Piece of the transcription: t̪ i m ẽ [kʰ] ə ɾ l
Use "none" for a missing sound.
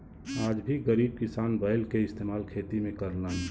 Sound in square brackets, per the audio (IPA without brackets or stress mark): k